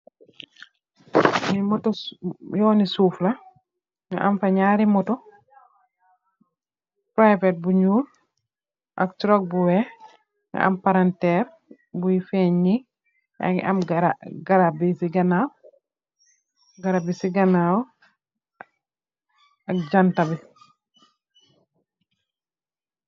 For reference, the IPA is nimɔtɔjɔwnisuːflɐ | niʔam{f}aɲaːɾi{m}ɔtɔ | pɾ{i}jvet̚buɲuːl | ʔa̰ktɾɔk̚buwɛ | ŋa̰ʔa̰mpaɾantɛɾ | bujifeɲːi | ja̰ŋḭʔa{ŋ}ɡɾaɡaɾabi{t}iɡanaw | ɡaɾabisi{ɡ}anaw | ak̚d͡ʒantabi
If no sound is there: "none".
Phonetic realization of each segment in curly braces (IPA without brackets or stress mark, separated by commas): f, m, a, m, s, ɡ